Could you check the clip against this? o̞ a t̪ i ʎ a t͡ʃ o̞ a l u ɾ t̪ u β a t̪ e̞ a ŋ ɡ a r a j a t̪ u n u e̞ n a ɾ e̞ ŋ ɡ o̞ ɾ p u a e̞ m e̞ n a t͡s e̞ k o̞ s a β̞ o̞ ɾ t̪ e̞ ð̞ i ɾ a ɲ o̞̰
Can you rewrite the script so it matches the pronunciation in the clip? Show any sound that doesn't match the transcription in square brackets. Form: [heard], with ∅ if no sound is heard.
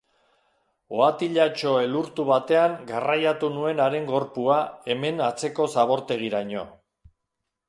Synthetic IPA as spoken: o̞ a t̪ i ʎ a t͡ʃ o̞ [e] l u ɾ t̪ u β a t̪ e̞ a ŋ ɡ a r a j a t̪ u n u e̞ n a ɾ e̞ ŋ ɡ o̞ ɾ p u a e̞ m e̞ n a t͡s e̞ k o̞ s a β̞ o̞ ɾ t̪ e̞ [ɣ̞] i ɾ a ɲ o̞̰

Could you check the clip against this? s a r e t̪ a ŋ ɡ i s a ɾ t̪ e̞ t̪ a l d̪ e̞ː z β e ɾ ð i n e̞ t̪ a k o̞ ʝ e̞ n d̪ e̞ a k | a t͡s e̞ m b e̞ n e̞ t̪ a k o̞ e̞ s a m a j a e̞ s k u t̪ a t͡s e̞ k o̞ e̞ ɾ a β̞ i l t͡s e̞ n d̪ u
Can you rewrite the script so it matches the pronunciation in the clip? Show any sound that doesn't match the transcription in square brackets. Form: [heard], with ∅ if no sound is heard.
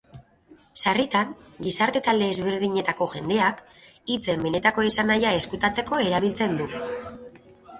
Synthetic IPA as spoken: s a r [i] t̪ a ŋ ɡ i s a ɾ t̪ e̞ t̪ a l d̪ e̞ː z β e ɾ ð i [ɲ] e̞ t̪ a k o̞ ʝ e̞ n d̪ e̞ a k | [i] t͡s e̞ m b e̞ n e̞ t̪ a k o̞ e̞ s a [n] a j a e̞ s k u t̪ a t͡s e̞ k o̞ e̞ ɾ a β̞ i l t͡s e̞ n d̪ u

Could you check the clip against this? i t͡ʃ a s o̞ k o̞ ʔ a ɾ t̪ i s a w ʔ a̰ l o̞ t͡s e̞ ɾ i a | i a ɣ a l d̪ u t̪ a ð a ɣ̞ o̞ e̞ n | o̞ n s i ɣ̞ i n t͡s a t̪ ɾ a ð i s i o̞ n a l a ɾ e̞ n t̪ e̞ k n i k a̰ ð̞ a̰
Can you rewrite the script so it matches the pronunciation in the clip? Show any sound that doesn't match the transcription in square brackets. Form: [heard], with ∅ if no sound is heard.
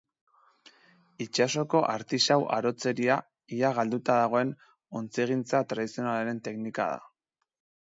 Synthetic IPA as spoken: i t͡ʃ a s o̞ k o̞ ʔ a ɾ t̪ i s a w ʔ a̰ [ɾ] o̞ t͡s e̞ ɾ i a | i a ɣ a l d̪ u t̪ a ð a ɣ̞ o̞ e̞ n | o̞ n [t͡s] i ɣ̞ i n t͡s a t̪ ɾ a ð i s i o̞ n a l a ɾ e̞ n t̪ e̞ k n i k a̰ ð̞ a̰

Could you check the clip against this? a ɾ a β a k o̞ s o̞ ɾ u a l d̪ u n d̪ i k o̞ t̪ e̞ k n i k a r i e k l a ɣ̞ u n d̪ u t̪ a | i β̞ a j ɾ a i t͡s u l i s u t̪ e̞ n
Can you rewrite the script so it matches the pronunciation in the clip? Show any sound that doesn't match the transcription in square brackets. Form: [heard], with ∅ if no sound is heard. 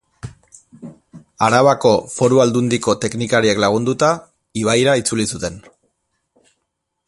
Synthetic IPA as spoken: a ɾ a β a k o̞ [f] o̞ ɾ u a l d̪ u n d̪ i k o̞ t̪ e̞ k n i k a [ɾ] i e k l a ɣ̞ u n d̪ u t̪ a | i β̞ a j ɾ a i t͡s u l i s u t̪ e̞ n

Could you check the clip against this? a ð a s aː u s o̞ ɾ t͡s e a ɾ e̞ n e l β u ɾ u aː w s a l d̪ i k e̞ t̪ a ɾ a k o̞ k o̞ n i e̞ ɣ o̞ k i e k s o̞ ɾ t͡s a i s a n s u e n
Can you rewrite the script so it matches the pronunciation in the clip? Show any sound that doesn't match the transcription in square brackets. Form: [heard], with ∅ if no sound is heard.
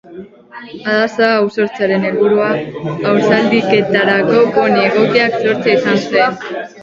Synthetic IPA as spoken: a ð a s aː [w] s o̞ ɾ t͡s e a ɾ e̞ n e l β u ɾ u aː w s a l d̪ i k e̞ t̪ a ɾ a k o̞ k o̞ n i e̞ ɣ o̞ k i [a] k s o̞ ɾ t͡s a i s a n s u e n

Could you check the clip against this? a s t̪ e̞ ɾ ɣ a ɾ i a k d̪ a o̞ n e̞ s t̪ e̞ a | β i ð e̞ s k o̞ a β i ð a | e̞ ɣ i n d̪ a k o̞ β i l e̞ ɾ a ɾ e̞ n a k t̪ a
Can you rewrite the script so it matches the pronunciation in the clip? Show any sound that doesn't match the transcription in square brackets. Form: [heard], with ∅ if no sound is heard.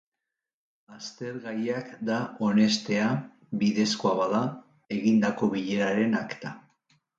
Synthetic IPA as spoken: a s t̪ e̞ ɾ ɣ a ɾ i a k d̪ a o̞ n e̞ s t̪ e̞ a | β i ð e̞ s k o̞ a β [a] ð a | e̞ ɣ i n d̪ a k o̞ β i [ʎ] e̞ ɾ a ɾ e̞ n a k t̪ a

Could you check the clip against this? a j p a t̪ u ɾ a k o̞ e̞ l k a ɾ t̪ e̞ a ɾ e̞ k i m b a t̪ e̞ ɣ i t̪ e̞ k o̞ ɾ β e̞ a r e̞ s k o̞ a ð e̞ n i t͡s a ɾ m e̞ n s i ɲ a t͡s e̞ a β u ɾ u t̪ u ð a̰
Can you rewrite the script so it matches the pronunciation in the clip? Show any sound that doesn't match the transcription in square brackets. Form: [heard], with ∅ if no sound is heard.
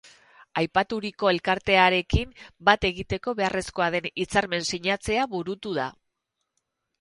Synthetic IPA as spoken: a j p a t̪ u ɾ [i] k o̞ e̞ l k a ɾ t̪ e̞ a ɾ e̞ k i m b a t̪ e̞ ɣ i t̪ e̞ k o̞ [∅] β e̞ a r e̞ s k o̞ a ð e̞ n i t͡s a ɾ m e̞ n s i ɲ a t͡s e̞ a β u ɾ u t̪ u ð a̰

